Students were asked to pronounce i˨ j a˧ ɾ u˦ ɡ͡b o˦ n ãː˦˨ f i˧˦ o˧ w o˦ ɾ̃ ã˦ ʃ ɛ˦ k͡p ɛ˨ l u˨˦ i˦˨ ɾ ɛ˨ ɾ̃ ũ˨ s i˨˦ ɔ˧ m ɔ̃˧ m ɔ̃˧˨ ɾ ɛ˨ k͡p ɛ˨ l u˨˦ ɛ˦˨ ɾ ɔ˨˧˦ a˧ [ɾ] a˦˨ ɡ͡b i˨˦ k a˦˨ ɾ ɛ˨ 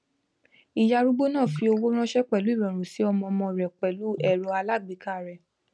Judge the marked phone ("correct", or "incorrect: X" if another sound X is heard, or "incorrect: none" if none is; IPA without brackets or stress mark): incorrect: l